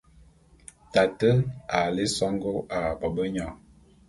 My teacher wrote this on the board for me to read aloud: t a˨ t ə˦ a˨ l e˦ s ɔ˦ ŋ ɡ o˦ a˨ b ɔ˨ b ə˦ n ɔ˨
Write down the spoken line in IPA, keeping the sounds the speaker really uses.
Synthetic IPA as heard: t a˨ t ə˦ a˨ l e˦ s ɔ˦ ŋ ɡ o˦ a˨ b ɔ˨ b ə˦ ɲ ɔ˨